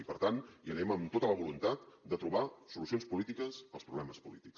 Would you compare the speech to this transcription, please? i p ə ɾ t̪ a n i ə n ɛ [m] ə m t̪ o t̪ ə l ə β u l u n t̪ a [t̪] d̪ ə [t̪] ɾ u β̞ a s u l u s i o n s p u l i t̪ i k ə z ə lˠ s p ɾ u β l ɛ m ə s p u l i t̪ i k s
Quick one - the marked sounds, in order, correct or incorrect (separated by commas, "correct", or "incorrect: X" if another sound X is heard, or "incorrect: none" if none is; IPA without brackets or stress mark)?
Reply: correct, correct, correct